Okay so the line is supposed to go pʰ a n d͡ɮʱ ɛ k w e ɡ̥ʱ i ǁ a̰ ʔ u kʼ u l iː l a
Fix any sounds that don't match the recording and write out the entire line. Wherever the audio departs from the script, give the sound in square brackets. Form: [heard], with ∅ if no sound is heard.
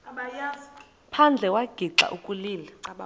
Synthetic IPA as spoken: pʰ a n d͡ɮʱ ɛ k w [a] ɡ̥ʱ i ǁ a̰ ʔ u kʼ u l iː l a